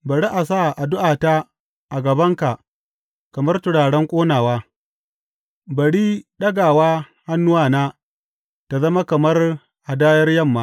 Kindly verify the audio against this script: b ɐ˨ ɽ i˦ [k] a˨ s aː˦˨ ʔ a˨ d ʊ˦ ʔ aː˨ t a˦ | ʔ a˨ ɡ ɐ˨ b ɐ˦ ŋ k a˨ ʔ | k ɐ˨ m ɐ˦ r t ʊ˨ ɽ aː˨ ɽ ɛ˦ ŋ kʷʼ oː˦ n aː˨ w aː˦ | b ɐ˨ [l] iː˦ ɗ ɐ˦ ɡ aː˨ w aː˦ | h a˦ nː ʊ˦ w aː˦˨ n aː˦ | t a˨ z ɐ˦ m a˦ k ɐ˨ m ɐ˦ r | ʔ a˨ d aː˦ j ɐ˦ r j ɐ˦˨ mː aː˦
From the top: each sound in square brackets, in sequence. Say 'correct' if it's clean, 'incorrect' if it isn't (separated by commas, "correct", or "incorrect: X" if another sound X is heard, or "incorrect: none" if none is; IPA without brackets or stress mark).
incorrect: ʔ, incorrect: ɽ